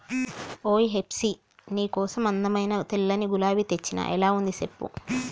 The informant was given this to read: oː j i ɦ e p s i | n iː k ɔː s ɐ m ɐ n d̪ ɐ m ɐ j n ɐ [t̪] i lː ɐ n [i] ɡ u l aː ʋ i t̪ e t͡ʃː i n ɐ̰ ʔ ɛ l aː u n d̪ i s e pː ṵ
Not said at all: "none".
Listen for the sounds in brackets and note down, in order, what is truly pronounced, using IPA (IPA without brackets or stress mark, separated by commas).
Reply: t̪, i